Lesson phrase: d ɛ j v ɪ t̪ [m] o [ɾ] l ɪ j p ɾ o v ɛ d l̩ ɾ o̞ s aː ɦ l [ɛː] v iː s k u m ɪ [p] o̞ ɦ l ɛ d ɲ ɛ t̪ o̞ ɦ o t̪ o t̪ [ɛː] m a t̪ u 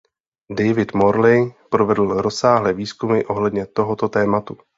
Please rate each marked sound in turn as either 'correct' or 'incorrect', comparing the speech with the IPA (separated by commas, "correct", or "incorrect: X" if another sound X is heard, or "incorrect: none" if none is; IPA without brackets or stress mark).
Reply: correct, correct, correct, incorrect: ʔ, correct